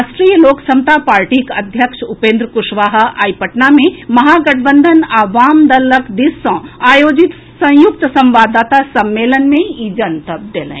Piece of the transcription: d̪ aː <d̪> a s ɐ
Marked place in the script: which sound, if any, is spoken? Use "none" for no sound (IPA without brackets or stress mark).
t̪